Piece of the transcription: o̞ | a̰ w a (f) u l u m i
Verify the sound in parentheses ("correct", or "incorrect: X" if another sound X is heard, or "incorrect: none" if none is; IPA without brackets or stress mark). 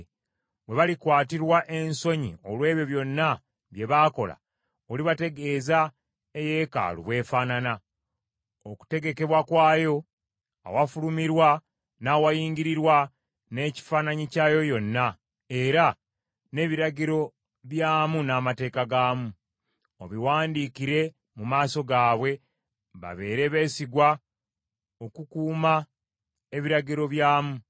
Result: correct